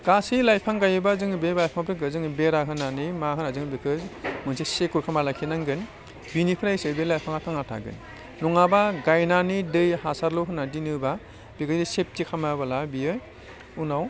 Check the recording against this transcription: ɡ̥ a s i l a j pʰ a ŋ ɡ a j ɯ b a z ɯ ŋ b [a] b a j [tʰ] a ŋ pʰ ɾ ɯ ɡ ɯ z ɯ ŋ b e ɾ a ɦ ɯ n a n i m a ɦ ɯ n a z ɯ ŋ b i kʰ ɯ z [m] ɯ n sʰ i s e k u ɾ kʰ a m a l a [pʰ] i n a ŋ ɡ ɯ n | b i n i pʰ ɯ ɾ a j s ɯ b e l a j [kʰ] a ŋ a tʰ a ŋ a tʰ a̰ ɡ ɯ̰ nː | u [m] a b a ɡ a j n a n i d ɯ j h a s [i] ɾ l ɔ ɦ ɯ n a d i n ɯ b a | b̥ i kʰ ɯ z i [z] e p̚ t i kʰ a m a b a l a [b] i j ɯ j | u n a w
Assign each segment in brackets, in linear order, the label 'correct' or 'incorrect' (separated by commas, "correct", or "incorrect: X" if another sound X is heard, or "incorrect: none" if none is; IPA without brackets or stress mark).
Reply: incorrect: e, incorrect: pʰ, correct, incorrect: kʰ, incorrect: pʰ, incorrect: ŋ, incorrect: a, incorrect: s, correct